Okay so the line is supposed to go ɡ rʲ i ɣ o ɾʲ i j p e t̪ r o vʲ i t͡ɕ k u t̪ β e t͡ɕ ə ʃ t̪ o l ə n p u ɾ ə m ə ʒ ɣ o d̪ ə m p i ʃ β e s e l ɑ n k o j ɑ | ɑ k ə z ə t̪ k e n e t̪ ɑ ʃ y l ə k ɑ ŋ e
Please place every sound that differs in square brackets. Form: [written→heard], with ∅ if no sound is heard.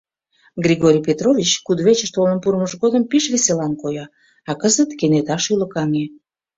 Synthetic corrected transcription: ɡ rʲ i ɣ o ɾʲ i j p e t̪ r o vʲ i t͡ɕ k u [t̪→d̪] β e t͡ɕ ə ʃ t̪ o l ə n p u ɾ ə m ə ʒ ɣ o d̪ ə m p i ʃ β e s e l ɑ n k o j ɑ | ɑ k ə z ə t̪ k e n e t̪ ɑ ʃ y l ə k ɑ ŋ e